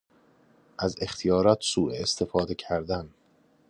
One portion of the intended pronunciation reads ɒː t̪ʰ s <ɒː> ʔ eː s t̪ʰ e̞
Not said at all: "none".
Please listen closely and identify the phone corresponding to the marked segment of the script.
uː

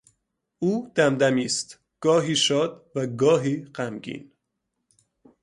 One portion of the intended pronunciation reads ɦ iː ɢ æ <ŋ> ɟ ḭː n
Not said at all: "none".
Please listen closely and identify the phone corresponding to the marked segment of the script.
m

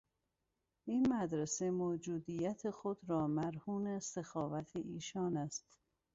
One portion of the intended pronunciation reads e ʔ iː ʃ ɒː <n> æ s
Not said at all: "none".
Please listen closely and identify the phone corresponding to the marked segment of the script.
n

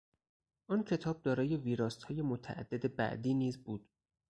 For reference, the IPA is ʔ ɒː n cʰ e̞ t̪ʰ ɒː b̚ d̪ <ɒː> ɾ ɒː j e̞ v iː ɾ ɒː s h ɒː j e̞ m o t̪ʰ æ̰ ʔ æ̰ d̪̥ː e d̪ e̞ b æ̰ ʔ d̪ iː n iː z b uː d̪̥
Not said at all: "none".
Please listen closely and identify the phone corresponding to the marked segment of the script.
ɒː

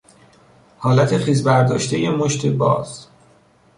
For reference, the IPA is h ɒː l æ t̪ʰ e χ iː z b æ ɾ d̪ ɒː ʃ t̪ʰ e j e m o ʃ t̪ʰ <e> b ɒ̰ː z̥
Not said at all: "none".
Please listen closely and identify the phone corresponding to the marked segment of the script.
e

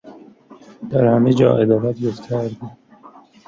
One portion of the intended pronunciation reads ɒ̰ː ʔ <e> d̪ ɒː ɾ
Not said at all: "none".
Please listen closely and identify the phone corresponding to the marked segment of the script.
e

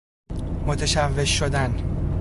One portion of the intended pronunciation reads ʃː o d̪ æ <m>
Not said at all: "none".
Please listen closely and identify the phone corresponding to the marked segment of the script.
n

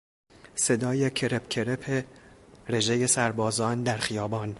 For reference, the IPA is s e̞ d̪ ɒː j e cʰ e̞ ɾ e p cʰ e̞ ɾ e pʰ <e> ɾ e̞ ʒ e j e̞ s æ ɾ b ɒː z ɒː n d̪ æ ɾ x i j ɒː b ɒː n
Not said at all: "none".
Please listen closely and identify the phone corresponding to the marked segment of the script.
e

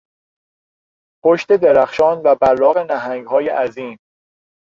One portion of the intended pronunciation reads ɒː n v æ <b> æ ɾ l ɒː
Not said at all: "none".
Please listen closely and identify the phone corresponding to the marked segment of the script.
b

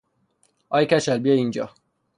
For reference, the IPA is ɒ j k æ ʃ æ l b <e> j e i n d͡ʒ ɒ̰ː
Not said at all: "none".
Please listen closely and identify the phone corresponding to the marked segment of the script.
i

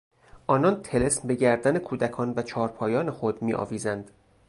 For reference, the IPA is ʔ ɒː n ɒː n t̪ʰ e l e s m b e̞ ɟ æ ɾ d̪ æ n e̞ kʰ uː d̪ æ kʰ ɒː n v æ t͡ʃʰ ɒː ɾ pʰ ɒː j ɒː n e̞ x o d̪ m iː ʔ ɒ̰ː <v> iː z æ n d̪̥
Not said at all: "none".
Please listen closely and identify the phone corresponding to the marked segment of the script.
v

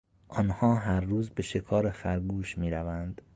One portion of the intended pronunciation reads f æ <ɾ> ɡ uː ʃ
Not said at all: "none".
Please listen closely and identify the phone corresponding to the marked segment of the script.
ɾ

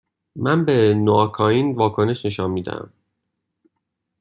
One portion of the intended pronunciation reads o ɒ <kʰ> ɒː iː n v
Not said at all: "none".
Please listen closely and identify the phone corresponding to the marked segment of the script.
kʰ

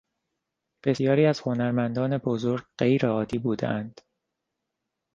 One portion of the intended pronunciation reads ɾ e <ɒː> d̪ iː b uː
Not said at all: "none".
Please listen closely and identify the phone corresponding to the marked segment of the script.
ɒː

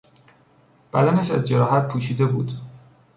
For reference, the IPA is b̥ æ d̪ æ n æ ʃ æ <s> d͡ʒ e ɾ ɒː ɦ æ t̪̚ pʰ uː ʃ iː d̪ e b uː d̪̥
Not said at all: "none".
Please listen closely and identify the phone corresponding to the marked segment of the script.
z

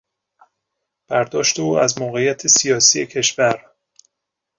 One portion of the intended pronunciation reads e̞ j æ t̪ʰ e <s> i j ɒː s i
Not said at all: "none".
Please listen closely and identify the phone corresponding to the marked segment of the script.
s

